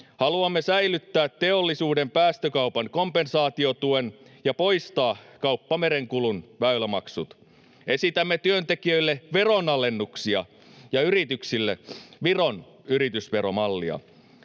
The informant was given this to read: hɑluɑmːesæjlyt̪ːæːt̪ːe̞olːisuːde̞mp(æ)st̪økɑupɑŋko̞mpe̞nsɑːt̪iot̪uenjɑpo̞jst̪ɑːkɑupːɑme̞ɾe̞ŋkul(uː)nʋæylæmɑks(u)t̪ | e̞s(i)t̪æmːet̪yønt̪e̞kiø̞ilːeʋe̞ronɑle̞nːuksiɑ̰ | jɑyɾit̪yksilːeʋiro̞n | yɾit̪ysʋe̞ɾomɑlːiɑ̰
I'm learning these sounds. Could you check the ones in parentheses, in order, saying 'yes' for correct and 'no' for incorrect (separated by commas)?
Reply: no, no, yes, yes